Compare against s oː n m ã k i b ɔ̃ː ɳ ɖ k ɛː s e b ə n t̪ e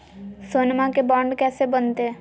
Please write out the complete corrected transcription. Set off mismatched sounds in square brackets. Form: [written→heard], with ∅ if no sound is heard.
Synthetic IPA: s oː n m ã k [i→e] b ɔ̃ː ɳ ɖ k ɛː s e b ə n t̪ e